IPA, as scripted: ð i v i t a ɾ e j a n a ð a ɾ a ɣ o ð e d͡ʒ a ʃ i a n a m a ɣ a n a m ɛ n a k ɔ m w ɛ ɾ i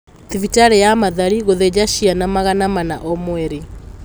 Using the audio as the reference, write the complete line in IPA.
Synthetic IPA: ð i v i t a ɾ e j a m a ð a ɾ i ɣ o ð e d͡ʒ a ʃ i a n a m a ɣ a n a m a n a ʔ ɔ m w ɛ ɾ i